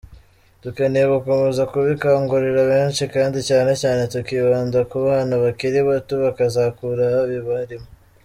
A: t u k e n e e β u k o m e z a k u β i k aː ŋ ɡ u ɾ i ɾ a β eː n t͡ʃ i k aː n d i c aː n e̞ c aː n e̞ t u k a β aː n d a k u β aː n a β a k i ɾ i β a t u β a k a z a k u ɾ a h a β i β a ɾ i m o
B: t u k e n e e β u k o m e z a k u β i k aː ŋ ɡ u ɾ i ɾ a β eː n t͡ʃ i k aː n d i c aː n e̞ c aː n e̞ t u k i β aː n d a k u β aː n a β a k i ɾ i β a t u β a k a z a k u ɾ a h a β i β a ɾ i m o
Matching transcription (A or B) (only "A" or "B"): B